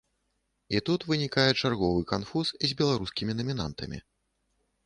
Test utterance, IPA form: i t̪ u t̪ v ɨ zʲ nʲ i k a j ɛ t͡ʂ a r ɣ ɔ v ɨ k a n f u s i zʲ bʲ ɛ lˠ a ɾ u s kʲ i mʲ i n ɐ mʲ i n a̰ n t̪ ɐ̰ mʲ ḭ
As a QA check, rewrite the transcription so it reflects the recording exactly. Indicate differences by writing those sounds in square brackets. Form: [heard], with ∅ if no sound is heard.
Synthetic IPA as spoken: i t̪ u t̪ v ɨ [∅] nʲ i k a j ɛ t͡ʂ a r ɣ ɔ v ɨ k a n f u s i zʲ bʲ ɛ lˠ a ɾ u s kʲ i mʲ i n ɐ mʲ i n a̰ n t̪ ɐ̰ mʲ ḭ